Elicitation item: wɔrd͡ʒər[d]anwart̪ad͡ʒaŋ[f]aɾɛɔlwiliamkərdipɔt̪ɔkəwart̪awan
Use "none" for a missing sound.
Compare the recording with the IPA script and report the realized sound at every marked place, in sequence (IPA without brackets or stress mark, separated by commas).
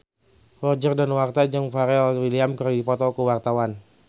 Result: d, f